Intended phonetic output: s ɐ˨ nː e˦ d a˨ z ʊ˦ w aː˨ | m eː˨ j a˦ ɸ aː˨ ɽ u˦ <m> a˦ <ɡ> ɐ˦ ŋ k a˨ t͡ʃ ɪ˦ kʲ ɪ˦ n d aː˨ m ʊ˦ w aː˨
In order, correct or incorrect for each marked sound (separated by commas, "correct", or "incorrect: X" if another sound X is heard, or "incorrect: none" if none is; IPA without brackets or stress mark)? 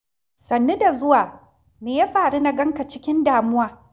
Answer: incorrect: n, correct